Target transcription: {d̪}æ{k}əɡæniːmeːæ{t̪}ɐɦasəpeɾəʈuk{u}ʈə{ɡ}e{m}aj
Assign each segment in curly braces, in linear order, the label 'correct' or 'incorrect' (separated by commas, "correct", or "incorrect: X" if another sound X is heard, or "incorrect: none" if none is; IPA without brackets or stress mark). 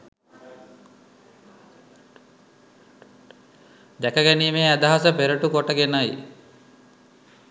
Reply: correct, correct, incorrect: d̪, incorrect: o, correct, incorrect: n